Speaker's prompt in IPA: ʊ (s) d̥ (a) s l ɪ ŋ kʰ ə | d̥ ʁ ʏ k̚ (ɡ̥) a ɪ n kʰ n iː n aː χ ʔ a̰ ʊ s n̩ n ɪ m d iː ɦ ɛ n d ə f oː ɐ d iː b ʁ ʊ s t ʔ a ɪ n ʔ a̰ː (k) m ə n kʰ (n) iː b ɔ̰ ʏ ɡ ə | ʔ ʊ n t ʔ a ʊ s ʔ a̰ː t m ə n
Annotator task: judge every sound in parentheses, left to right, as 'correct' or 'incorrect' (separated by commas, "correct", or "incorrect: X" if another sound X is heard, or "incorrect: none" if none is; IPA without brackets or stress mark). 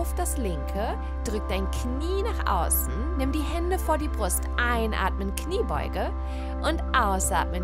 incorrect: f, correct, incorrect: d̥, incorrect: t, correct